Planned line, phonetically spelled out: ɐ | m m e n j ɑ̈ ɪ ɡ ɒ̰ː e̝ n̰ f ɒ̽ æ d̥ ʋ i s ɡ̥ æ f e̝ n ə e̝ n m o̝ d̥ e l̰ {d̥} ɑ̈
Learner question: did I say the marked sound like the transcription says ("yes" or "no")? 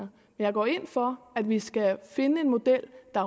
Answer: yes